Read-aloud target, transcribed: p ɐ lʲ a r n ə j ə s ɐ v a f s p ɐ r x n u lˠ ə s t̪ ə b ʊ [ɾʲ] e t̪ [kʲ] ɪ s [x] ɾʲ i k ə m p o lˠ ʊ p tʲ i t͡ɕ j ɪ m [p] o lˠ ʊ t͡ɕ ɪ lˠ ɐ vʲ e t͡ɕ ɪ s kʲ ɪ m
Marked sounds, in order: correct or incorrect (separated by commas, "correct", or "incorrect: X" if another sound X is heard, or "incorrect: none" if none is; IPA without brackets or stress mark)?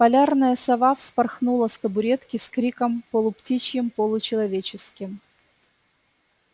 correct, correct, incorrect: k, correct